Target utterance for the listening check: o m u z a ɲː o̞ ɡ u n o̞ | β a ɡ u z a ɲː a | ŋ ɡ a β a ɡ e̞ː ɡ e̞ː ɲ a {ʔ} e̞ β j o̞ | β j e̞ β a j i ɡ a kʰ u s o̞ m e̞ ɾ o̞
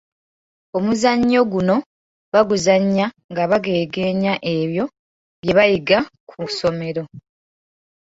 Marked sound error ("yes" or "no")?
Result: no